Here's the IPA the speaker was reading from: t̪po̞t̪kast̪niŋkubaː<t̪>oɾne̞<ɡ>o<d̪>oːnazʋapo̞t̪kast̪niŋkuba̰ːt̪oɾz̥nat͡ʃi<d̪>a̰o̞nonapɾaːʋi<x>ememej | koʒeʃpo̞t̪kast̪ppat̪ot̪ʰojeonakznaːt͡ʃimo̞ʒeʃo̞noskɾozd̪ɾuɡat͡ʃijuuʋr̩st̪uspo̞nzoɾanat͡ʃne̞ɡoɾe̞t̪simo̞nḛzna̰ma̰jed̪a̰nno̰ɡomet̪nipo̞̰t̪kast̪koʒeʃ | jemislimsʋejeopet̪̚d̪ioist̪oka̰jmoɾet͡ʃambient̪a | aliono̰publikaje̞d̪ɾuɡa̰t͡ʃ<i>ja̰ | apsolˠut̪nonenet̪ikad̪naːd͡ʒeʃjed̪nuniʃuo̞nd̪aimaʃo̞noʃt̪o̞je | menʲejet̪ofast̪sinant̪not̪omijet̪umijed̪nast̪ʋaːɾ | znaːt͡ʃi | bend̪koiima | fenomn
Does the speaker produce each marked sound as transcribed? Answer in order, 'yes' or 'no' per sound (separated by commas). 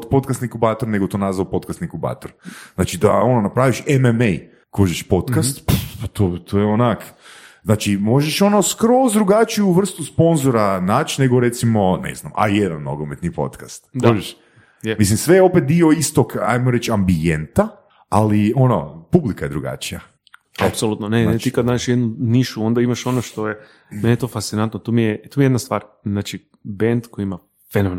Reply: yes, yes, no, yes, no, yes